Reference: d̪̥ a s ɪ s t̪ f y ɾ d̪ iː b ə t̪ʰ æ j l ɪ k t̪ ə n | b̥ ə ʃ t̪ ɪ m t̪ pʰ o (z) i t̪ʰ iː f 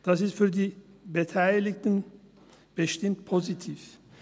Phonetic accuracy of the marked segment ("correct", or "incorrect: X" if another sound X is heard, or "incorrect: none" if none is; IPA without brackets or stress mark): correct